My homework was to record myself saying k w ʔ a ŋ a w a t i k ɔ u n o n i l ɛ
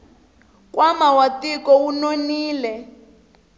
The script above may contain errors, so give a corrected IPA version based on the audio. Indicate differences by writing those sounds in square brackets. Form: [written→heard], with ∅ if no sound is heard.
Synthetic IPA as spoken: k w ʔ a [ŋ→m] a w a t i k ɔ u n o n [i→iː] l ɛ